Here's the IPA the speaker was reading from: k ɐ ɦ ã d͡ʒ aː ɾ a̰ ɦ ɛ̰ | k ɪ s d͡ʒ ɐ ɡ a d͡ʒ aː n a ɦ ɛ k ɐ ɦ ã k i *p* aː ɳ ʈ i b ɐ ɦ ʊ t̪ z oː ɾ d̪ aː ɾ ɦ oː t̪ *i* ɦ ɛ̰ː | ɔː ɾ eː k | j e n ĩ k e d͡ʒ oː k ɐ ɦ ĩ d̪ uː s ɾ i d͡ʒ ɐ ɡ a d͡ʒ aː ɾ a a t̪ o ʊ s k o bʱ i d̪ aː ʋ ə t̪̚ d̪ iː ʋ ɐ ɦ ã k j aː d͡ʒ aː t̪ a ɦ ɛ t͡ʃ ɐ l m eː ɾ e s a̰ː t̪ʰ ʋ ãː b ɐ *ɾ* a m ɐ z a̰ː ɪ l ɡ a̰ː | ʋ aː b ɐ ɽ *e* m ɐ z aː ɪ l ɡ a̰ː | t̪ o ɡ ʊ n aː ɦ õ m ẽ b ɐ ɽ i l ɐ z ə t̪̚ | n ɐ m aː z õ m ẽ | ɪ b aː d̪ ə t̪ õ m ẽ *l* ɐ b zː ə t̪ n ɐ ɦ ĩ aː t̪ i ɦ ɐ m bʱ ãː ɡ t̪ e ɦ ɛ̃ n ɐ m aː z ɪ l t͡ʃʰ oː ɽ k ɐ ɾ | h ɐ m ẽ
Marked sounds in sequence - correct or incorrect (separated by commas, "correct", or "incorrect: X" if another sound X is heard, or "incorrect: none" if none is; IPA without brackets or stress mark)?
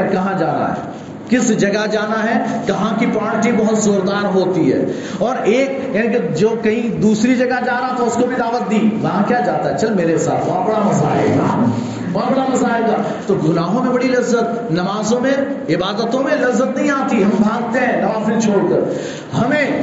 correct, correct, incorrect: ɽ, incorrect: a, correct